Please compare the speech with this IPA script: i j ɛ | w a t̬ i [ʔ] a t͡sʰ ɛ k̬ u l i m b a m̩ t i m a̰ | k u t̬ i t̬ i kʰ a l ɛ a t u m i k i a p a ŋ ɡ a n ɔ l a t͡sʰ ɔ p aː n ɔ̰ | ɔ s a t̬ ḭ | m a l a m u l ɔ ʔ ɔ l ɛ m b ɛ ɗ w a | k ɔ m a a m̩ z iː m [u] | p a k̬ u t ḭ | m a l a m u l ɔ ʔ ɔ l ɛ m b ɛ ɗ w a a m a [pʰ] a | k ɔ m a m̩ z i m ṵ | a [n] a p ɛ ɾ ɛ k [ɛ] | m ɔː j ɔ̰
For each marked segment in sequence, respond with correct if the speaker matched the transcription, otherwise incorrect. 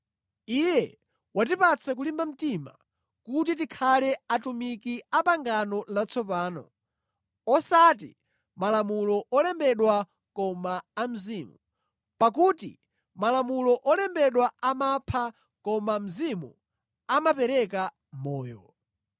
incorrect, correct, correct, incorrect, incorrect

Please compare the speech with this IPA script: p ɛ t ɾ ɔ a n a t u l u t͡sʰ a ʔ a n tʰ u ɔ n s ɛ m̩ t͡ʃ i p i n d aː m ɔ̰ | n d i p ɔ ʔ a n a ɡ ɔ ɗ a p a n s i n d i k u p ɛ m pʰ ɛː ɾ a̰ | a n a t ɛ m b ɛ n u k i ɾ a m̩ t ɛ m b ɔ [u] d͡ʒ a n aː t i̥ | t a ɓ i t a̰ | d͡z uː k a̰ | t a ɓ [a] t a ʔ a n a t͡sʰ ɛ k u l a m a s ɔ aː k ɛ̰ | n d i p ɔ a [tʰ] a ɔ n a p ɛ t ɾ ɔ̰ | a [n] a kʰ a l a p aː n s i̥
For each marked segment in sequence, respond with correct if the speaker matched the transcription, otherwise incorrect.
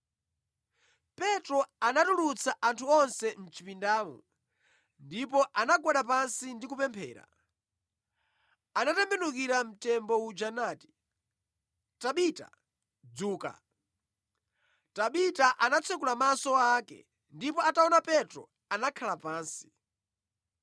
correct, incorrect, incorrect, correct

